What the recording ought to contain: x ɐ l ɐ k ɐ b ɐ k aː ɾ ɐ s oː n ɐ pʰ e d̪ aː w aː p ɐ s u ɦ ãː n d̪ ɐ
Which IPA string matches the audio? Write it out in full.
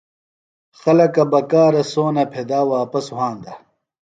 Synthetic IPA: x ɐ l ɐ k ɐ b ɐ k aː ɾ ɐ s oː n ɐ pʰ e d̪ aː w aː p ɐ s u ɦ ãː n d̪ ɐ